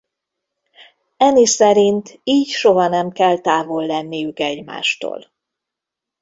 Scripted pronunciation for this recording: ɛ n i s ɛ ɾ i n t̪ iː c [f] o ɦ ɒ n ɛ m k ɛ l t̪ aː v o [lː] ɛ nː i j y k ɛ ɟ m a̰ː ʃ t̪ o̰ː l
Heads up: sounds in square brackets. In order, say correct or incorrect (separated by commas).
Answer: incorrect, correct